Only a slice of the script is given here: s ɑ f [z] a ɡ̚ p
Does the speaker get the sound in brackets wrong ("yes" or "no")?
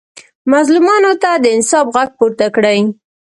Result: yes